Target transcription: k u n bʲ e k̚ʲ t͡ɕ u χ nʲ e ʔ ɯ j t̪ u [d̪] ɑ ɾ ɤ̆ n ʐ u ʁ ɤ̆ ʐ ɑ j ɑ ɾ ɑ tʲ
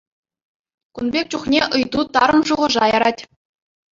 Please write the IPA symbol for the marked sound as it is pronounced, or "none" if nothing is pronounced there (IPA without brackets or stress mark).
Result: t̪